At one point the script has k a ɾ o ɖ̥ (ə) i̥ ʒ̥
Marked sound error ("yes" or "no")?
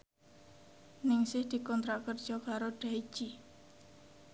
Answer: yes